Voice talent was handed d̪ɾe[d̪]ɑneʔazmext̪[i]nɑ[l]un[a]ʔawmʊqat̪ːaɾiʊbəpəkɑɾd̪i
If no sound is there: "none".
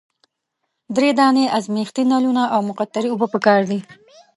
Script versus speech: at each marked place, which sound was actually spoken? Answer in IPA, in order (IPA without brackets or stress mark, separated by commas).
d̪, i, l, a